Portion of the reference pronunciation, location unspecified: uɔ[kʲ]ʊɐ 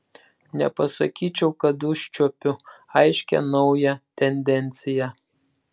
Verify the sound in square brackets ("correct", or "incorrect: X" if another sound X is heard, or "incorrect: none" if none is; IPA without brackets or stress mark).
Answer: incorrect: pʲ